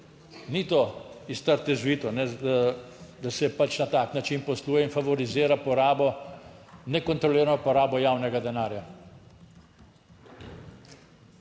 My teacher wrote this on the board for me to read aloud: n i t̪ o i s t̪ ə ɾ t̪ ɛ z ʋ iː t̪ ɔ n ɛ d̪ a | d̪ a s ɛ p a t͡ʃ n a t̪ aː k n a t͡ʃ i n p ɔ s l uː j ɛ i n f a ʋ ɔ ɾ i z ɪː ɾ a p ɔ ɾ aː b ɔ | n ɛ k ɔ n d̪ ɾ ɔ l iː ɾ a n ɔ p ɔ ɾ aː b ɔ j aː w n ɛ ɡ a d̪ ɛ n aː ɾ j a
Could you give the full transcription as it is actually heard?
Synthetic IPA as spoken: n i t̪ o i s t̪ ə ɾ t̪ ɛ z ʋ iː t̪ ɔ n ɛ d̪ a | d̪ a s ɛ p a t͡ʃ n a t̪ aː k n a t͡ʃ i n p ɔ s l uː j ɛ i n f a ʋ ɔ ɾ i z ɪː ɾ a p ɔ ɾ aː b ɔ | n ɛ k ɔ n t̪ ɾ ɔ l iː ɾ a n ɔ p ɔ ɾ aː b ɔ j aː w n ɛ ɡ a d̪ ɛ n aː ɾ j a